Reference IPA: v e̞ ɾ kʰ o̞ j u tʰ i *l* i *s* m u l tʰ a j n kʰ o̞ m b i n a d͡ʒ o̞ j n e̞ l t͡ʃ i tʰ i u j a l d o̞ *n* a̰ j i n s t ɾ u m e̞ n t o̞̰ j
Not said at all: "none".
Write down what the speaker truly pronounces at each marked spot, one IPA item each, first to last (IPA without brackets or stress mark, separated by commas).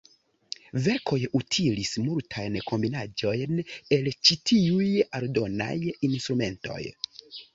l, s, n